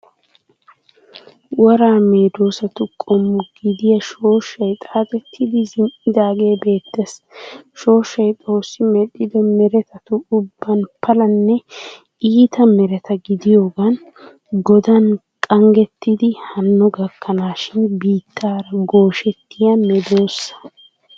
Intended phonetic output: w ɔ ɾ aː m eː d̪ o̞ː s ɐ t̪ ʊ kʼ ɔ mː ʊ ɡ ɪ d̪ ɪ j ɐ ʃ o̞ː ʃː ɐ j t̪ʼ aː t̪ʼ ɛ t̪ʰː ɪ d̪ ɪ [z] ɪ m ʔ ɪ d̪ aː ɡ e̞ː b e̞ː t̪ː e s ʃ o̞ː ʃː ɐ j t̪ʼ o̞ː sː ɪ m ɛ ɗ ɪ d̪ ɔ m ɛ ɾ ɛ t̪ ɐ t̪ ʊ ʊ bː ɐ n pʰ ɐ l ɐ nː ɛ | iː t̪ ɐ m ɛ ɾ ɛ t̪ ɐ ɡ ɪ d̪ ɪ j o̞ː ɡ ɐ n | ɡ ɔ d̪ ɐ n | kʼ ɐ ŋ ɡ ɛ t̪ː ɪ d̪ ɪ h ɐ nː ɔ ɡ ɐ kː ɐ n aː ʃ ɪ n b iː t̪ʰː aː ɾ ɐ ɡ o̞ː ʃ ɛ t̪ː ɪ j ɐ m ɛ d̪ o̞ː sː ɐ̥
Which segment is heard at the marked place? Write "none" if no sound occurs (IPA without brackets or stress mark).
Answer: z